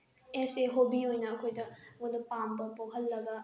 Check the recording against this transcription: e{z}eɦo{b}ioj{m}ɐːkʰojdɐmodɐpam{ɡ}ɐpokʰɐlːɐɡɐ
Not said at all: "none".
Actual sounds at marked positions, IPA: s, b, n, b

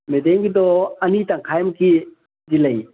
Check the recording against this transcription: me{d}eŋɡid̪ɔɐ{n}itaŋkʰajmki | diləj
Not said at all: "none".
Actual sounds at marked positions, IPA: d, n

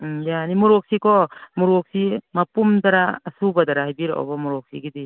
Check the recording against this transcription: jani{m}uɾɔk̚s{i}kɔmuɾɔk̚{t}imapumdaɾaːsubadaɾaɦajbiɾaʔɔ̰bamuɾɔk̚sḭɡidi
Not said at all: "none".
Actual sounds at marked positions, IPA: m, i, s

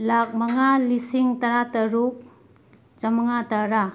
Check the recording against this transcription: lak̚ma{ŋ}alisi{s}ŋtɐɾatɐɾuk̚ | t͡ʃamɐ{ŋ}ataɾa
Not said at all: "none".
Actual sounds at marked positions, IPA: ŋ, none, ŋ

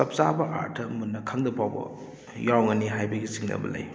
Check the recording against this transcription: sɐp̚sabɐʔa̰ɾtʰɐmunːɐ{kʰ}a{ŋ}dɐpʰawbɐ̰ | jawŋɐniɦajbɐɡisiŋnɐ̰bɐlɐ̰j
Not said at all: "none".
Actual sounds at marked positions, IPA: kʰ, ŋ

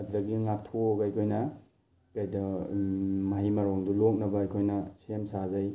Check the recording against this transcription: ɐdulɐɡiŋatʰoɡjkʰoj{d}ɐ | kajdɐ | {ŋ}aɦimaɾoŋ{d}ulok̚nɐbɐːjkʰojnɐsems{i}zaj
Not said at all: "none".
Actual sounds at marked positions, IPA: n, m, d, a

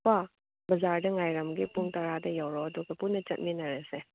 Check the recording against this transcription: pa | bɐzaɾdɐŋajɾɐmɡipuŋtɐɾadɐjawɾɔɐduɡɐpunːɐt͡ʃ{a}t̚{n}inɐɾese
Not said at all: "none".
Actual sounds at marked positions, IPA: ɐ, m

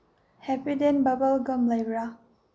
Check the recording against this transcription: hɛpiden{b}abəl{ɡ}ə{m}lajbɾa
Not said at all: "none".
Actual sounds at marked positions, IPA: b, ɡ, m

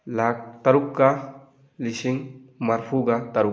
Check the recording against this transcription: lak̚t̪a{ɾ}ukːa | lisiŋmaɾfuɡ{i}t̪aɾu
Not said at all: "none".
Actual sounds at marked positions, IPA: ɾ, a

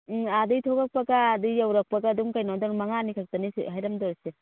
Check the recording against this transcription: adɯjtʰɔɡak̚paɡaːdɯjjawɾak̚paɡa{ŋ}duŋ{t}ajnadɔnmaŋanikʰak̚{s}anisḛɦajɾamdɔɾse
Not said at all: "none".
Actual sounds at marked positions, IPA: none, k, t

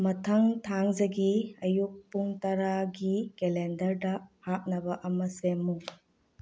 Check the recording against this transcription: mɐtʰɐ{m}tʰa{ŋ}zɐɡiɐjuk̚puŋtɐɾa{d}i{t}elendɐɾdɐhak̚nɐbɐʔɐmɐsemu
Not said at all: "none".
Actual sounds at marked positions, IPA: ŋ, ŋ, ɡ, k

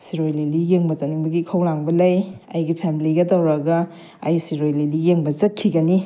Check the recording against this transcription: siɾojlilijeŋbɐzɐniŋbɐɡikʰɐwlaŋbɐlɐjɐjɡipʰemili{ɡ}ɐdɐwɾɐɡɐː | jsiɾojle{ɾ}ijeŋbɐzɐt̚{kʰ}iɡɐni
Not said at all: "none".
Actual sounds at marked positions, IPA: ɡ, l, kʰ

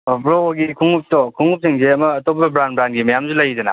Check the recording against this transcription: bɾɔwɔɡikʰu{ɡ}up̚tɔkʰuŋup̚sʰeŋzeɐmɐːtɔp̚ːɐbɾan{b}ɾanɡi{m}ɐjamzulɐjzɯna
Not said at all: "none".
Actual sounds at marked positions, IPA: ŋ, b, m

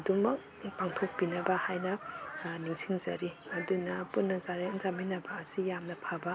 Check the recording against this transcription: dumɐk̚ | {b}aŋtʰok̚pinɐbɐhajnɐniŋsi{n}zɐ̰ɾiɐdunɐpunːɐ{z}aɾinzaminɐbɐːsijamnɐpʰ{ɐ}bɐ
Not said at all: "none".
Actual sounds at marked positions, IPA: p, ŋ, z, a

